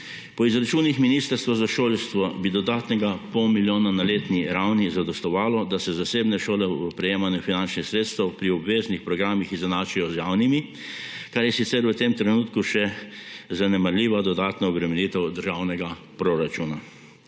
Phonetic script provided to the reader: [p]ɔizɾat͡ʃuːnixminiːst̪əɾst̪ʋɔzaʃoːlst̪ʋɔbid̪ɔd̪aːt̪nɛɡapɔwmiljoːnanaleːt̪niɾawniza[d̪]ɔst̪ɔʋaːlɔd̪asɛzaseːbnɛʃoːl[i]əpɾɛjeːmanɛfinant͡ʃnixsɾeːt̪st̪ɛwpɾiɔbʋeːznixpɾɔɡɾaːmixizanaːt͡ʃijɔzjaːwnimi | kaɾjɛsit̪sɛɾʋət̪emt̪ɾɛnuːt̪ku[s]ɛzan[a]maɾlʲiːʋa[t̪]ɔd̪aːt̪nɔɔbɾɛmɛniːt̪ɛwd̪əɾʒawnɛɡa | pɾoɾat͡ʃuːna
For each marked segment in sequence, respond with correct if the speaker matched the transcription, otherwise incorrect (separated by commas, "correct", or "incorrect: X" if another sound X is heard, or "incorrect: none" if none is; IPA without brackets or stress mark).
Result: correct, correct, incorrect: ɛ, incorrect: ʃ, incorrect: ɛ, incorrect: d̪